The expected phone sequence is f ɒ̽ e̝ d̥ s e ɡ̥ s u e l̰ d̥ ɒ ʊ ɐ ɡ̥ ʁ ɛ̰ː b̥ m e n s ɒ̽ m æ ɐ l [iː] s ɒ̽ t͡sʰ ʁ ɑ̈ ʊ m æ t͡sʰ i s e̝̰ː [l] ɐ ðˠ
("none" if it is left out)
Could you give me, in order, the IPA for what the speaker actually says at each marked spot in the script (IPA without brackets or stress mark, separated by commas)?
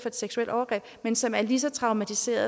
i, none